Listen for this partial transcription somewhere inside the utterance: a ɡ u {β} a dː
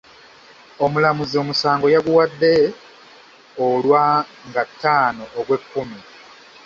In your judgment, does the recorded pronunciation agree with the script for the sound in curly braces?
no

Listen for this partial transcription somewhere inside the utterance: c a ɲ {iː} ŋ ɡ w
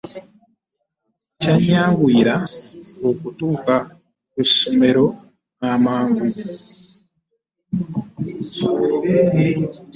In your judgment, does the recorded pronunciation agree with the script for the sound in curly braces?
no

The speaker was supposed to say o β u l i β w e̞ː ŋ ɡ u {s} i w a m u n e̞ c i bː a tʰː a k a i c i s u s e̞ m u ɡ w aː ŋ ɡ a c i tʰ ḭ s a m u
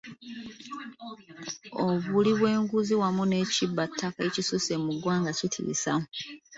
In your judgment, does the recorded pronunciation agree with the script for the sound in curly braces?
no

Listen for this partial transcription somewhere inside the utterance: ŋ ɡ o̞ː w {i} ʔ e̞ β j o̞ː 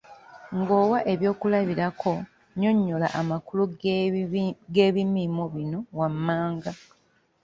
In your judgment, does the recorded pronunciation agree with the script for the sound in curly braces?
no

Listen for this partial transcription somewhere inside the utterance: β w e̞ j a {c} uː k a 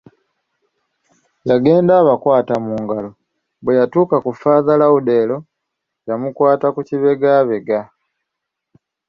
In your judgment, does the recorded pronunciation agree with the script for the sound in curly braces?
no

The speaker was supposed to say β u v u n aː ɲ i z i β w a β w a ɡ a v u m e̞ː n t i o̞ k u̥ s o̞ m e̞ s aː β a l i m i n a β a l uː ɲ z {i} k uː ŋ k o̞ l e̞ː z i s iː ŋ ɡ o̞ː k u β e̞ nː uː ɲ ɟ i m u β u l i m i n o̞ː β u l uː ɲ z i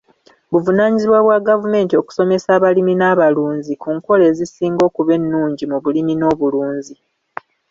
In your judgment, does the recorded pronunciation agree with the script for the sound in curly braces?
yes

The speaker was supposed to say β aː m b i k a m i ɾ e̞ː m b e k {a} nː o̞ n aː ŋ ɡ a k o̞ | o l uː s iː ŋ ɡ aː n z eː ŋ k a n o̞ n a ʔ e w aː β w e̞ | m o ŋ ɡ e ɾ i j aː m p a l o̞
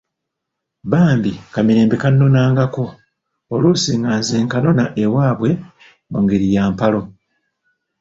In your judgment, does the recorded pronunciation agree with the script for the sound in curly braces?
yes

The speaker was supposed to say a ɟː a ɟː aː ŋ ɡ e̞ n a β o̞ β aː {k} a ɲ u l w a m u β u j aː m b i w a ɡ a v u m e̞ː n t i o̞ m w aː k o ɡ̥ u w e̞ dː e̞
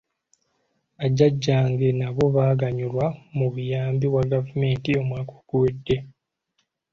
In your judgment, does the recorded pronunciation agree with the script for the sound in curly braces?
no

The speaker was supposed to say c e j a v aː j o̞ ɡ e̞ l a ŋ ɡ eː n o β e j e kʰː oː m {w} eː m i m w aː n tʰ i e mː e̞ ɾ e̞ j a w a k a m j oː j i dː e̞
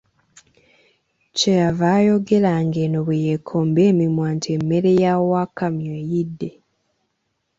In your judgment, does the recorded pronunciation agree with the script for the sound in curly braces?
no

